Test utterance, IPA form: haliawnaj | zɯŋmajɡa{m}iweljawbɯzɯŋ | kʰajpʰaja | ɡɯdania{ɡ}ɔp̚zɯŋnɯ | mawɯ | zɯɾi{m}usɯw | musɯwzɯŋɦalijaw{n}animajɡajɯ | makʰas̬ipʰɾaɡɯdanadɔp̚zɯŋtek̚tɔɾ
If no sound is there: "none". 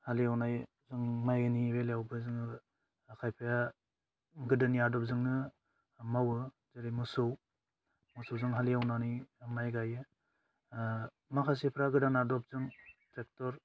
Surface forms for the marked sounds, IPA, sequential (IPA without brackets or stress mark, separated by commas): n, d, m, n